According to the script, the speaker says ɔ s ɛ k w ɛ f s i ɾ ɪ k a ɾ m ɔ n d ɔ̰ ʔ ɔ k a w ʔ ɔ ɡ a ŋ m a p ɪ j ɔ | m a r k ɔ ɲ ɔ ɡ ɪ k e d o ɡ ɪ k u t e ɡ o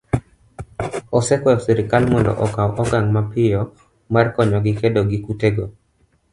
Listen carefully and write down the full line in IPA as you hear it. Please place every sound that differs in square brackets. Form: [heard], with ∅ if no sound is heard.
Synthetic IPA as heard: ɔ s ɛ k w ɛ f s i ɾ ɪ k a [l] m ɔ n d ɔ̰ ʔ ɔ k a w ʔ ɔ ɡ a ŋ m a p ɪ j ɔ | m a r k ɔ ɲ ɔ ɡ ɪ k e d o ɡ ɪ k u t e ɡ o